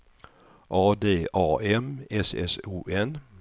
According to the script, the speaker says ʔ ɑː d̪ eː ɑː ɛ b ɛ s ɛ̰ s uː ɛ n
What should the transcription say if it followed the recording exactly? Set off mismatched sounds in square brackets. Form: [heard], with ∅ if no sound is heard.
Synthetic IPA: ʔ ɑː d̪ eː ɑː ɛ [m] ɛ s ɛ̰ s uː ɛ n